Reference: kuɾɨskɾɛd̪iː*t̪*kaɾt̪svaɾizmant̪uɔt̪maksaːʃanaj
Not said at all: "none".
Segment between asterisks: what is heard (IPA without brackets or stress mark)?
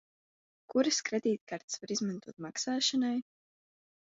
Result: t̪